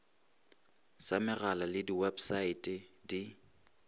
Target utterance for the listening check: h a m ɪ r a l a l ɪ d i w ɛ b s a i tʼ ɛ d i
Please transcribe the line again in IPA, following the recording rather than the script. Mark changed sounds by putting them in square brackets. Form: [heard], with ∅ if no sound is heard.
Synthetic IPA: [s] a m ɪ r a l a l ɪ d i w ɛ b s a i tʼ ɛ d i